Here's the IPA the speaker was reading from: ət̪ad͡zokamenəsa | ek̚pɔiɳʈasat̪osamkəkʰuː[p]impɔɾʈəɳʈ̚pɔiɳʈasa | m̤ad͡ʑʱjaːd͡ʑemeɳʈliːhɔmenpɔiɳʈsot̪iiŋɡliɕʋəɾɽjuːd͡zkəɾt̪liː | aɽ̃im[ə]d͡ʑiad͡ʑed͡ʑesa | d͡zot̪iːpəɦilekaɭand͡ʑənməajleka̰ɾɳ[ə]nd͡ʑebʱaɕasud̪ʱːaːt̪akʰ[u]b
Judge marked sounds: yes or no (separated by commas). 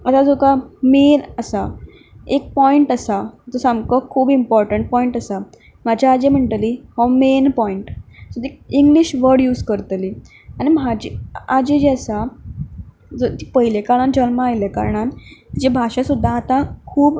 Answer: no, no, no, no